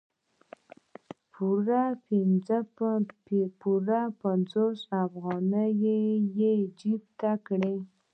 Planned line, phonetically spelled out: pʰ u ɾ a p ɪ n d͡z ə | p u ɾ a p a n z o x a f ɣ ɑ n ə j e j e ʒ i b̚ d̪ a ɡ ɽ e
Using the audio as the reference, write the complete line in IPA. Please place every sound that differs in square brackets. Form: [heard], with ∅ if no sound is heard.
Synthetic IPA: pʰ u ɾ a p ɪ n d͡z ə | p u ɾ a p a n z o [s] a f ɣ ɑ n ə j e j e [d͡ʒ] i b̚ [t̪] a [k] ɽ e